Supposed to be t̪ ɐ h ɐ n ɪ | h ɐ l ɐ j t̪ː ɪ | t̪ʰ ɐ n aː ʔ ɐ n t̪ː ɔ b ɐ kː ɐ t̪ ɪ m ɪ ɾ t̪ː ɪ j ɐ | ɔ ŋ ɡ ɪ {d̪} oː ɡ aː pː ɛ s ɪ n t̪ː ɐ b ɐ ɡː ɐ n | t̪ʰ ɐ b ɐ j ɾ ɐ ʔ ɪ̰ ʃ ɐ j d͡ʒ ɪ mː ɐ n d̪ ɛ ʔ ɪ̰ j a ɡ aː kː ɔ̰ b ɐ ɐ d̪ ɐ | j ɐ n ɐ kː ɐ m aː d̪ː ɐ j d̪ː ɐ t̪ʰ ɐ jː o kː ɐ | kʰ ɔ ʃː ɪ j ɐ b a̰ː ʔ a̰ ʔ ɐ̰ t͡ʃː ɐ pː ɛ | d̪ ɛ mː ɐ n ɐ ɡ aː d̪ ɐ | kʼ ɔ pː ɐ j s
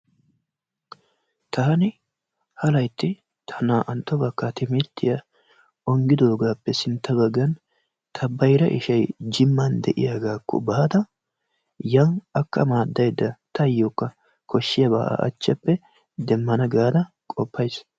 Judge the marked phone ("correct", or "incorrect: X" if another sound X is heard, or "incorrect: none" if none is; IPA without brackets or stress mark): correct